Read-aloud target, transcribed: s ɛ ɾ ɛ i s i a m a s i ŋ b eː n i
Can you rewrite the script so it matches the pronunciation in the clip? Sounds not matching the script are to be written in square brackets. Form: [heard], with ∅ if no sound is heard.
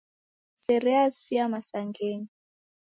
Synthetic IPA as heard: s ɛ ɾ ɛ [a] s i a m a s [a] ŋ [ɡ] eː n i